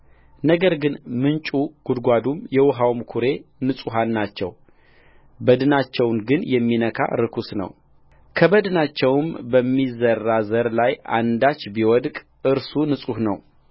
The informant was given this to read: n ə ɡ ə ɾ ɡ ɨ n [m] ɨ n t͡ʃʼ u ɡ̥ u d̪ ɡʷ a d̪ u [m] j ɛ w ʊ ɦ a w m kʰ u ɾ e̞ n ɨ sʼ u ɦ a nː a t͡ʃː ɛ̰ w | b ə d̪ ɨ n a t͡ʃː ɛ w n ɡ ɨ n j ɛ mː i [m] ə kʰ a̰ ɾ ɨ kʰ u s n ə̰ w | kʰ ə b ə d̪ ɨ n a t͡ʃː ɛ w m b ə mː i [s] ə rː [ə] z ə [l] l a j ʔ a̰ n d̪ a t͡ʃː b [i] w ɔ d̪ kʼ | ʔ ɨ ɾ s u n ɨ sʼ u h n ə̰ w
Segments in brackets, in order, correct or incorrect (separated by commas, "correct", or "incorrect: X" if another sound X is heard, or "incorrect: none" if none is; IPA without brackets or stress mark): correct, correct, incorrect: n, incorrect: z, incorrect: a, incorrect: ɾ, correct